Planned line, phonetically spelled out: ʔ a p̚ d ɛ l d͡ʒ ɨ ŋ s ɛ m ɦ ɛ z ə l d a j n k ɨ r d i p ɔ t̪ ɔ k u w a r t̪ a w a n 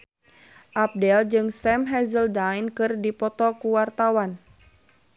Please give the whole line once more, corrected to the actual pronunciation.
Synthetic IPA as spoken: ʔ a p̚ d ɛ l d͡ʒ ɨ ŋ s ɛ m ɦ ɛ z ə l d a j n k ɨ r d i p ɔ t̪ ɔ k u w a r t̪ a w a n